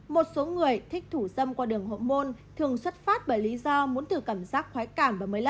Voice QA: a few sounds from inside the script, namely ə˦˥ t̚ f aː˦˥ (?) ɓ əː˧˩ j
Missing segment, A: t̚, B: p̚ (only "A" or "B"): A